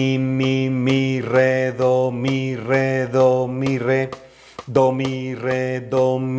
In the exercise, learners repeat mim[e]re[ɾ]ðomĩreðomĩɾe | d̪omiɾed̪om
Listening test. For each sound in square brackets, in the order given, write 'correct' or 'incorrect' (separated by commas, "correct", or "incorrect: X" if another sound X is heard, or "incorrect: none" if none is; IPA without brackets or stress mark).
incorrect: i, incorrect: none